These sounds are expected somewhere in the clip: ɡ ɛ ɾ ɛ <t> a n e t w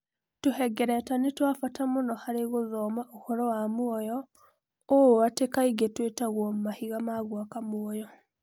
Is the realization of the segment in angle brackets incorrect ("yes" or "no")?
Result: no